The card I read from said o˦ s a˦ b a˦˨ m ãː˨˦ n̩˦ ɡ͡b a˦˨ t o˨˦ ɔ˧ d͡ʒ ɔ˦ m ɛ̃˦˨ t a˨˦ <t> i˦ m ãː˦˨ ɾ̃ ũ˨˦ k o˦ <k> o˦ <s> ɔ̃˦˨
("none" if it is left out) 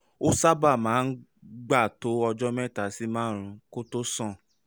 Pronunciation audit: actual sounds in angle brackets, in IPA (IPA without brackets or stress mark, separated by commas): s, t, s